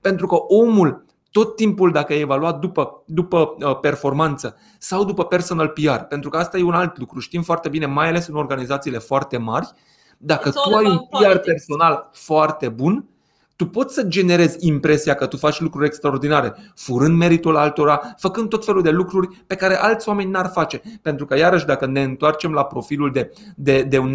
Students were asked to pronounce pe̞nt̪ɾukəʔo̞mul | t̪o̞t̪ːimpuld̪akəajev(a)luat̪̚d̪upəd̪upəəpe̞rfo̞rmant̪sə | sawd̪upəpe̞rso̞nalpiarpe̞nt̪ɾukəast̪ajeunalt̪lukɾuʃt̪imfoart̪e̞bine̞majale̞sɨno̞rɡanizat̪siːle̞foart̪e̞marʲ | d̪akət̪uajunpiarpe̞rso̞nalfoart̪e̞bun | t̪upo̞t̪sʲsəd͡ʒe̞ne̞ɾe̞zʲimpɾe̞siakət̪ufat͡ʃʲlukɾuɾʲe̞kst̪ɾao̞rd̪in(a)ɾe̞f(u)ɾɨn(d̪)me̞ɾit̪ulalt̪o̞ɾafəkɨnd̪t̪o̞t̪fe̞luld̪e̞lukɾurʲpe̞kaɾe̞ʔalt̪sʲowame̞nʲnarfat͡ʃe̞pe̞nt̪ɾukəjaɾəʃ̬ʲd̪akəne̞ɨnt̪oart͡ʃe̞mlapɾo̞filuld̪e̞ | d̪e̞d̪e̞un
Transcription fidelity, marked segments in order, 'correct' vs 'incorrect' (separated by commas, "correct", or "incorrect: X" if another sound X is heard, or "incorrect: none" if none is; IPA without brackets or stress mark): correct, correct, correct, correct